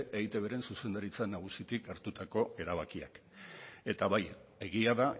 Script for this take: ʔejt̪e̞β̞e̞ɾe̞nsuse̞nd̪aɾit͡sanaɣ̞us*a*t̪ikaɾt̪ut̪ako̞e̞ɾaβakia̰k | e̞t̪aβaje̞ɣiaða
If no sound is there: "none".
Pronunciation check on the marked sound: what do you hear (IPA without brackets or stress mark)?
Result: i